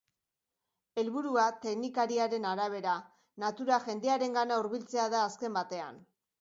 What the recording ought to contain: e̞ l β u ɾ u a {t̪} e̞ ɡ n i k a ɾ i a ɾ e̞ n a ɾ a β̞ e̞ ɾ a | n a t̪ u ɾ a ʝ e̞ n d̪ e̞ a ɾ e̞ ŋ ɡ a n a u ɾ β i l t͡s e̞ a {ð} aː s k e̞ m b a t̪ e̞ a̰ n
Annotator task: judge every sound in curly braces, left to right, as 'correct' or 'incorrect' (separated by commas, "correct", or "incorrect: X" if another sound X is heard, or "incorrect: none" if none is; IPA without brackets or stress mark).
correct, correct